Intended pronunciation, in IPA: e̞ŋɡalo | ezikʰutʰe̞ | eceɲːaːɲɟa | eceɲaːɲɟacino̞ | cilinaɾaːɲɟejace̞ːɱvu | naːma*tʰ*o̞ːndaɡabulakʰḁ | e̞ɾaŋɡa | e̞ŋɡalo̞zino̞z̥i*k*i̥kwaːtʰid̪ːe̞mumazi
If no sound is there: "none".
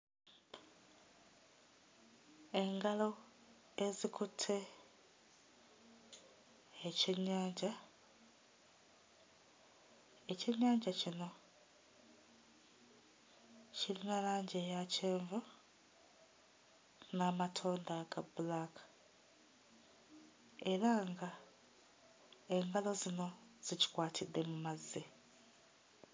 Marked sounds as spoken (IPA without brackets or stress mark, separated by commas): tʰ, c